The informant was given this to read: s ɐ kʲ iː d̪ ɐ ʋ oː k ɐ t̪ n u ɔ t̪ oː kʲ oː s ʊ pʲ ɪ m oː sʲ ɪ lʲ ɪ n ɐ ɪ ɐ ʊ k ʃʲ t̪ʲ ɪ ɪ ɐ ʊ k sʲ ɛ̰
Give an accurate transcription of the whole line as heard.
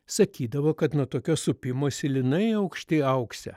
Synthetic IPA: s ɐ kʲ iː d̪ ɐ ʋ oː k ɐ t̪ n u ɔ t̪ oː kʲ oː s ʊ pʲ ɪ m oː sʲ ɪ lʲ ɪ n ɐ ɪ ɐ ʊ k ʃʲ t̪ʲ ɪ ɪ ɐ ʊ k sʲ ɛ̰